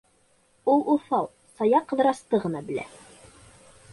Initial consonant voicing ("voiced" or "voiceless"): voiced